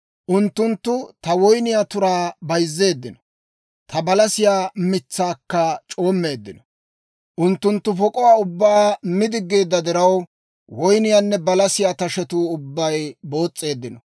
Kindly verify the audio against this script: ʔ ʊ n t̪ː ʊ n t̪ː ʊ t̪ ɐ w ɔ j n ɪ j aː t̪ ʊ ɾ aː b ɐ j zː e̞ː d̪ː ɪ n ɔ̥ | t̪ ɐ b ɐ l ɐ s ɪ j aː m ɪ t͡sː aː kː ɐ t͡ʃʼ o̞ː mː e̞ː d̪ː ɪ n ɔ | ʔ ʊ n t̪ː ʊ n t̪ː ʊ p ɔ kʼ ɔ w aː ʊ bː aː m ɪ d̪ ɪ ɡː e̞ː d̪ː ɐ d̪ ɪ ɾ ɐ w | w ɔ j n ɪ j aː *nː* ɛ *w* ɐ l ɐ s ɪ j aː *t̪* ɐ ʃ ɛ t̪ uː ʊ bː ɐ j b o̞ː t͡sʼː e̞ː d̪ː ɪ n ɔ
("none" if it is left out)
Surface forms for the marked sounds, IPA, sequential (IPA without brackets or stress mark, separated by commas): nː, b, t̪